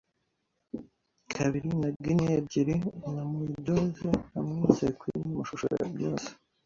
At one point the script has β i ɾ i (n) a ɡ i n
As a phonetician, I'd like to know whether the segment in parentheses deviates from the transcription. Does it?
no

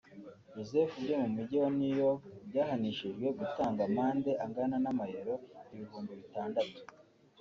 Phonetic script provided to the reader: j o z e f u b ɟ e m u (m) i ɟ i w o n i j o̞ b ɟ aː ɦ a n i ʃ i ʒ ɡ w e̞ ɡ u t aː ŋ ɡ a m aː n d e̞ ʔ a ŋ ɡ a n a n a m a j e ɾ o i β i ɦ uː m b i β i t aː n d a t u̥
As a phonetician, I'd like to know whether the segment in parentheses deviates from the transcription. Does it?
no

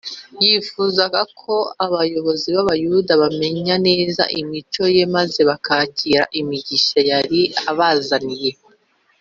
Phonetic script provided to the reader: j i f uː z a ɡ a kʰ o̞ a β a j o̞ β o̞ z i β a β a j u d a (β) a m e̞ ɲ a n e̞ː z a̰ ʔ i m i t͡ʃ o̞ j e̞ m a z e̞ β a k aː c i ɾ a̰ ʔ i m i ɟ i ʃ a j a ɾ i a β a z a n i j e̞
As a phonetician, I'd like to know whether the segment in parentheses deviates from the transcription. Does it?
no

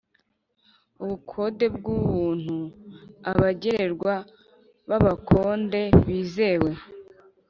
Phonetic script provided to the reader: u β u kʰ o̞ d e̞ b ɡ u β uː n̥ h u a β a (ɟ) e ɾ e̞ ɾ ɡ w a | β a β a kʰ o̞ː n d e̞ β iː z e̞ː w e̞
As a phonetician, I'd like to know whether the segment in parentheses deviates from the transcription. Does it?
no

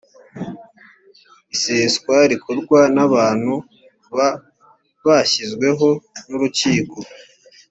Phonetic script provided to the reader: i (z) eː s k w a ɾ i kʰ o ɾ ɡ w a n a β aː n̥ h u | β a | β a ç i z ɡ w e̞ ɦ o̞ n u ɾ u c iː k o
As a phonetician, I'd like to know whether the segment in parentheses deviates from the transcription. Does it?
yes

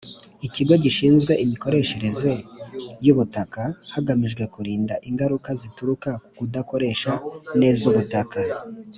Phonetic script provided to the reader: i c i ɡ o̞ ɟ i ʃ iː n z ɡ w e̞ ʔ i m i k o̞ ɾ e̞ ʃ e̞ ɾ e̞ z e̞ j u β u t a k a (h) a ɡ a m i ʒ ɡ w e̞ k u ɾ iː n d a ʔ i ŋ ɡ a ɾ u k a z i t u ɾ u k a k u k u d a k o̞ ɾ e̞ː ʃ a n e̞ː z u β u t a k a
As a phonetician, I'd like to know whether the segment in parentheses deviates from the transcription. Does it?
no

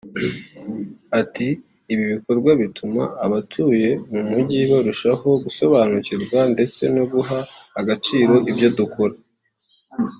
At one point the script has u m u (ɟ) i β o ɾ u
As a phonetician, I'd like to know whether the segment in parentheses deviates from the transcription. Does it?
no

